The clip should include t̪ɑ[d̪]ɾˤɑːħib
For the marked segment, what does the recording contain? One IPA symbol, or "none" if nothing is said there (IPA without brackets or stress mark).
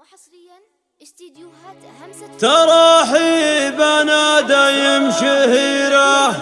none